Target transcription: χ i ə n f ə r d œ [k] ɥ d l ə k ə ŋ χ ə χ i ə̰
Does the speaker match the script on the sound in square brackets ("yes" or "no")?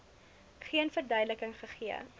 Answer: no